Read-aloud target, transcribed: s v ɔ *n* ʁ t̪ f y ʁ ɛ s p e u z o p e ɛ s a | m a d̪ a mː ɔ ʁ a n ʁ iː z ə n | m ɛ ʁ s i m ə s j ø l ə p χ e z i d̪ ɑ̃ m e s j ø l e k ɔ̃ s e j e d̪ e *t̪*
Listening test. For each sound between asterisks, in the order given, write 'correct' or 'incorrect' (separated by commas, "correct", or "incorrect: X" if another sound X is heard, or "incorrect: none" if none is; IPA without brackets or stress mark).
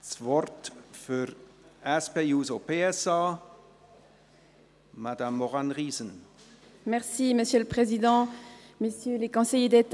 incorrect: none, correct